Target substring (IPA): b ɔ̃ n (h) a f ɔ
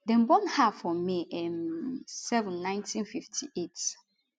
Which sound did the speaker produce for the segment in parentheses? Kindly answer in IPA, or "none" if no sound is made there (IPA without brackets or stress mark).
h